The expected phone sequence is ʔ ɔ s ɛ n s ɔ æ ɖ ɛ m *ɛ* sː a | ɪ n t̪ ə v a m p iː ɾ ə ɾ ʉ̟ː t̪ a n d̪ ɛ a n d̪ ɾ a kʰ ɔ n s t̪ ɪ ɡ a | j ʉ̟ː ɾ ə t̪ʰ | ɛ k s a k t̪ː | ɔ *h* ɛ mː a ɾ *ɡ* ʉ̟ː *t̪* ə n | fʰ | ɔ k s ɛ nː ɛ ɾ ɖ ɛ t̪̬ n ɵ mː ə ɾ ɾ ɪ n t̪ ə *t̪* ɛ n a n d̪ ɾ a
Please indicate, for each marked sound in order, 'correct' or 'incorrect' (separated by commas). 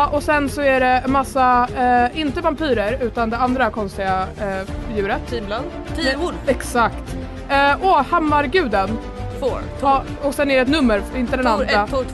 incorrect, correct, correct, incorrect, incorrect